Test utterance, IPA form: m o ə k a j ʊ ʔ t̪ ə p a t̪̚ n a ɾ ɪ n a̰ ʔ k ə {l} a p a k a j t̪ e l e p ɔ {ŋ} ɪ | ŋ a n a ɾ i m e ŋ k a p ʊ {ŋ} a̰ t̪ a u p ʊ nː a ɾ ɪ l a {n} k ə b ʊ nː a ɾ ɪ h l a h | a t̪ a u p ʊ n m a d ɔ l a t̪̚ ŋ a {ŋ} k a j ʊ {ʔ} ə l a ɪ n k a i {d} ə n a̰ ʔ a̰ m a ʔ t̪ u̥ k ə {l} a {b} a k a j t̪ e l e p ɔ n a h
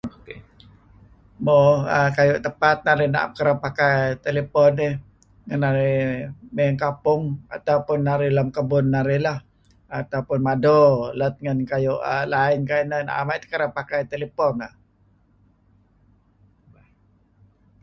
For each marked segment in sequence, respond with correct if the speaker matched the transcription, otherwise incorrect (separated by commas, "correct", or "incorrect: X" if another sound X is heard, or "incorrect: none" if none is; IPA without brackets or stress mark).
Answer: incorrect: ɾ, incorrect: n, correct, incorrect: m, incorrect: n, correct, incorrect: n, incorrect: ɾ, incorrect: p